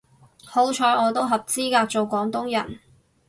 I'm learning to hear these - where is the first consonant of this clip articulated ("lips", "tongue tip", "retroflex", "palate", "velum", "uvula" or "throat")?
throat